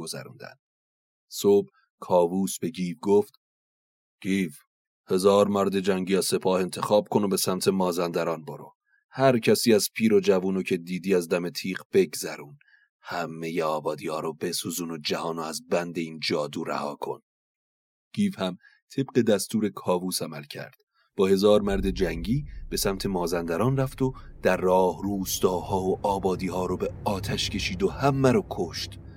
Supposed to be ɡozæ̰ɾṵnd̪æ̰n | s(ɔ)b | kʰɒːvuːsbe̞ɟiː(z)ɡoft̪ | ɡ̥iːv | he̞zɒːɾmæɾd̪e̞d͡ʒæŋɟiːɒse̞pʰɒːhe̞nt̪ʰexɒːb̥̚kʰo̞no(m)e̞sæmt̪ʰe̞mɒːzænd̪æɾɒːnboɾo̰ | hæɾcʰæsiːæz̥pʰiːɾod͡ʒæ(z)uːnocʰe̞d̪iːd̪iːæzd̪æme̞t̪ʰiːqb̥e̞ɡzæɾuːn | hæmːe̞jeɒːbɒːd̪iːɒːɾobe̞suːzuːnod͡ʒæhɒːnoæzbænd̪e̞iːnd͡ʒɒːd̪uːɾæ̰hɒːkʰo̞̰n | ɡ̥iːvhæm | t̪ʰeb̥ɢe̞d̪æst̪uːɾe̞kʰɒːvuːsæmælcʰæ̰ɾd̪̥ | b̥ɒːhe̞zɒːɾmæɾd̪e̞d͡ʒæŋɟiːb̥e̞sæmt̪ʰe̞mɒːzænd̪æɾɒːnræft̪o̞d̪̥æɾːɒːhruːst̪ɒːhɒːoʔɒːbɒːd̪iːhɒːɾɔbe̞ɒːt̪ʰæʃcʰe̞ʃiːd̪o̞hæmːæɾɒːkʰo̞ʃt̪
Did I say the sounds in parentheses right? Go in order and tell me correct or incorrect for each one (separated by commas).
incorrect, incorrect, incorrect, incorrect